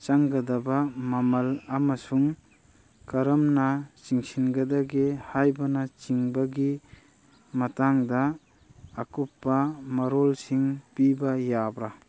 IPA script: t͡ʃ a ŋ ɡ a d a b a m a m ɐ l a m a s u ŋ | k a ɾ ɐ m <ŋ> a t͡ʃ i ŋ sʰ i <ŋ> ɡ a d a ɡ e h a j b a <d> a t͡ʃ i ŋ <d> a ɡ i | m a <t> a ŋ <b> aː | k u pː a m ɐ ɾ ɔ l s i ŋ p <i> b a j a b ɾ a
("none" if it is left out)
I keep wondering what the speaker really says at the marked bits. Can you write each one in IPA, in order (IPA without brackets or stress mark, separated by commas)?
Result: n, n, n, b, t, d, i